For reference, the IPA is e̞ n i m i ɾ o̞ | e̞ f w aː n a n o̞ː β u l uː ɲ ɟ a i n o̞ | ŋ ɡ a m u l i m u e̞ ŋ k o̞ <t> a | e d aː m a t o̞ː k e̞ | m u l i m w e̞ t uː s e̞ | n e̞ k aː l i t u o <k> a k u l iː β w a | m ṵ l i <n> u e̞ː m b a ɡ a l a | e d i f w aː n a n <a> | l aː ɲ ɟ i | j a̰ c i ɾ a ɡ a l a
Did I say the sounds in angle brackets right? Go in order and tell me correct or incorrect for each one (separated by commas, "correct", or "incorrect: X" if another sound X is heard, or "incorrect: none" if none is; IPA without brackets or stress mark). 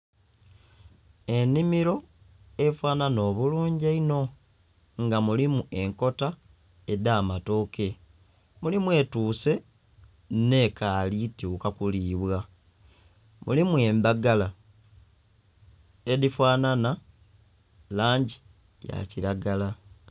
correct, correct, incorrect: m, correct